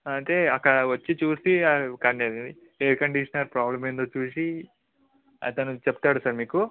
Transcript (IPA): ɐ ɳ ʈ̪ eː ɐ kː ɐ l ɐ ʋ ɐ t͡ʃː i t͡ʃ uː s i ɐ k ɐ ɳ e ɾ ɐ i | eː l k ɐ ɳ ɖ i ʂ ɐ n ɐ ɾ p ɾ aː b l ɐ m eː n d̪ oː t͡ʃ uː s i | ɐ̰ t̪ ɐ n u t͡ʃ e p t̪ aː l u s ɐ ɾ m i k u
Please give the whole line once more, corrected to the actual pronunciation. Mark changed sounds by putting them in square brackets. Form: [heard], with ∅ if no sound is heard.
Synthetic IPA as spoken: ɐ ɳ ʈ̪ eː ɐ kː ɐ [ɽ] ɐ ʋ ɐ t͡ʃː i t͡ʃ uː s i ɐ k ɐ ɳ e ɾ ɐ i | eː [ɾ] k ɐ ɳ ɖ i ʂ ɐ n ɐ ɾ p ɾ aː b l ɐ m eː n d̪ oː t͡ʃ uː s i | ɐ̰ t̪ ɐ n u t͡ʃ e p t̪ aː [ɽ] u s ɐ ɾ m [iː] k u